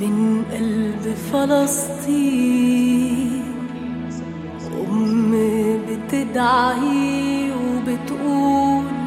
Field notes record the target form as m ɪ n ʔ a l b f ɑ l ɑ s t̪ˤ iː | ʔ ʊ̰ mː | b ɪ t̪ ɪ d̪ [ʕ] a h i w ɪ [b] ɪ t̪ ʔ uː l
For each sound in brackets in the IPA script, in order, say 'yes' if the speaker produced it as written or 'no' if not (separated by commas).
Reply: yes, yes